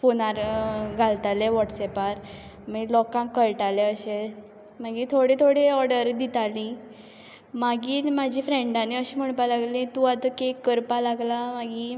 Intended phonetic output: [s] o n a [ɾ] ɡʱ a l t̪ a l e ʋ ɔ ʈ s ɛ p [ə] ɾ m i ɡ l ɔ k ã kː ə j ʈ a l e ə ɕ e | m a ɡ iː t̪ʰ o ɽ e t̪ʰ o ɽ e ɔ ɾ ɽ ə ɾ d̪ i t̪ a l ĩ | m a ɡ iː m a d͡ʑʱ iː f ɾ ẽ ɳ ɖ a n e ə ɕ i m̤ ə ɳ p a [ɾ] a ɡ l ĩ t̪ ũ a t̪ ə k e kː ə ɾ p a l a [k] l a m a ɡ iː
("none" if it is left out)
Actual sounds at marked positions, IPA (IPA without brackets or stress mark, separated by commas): f, ɾ, a, l, ɡ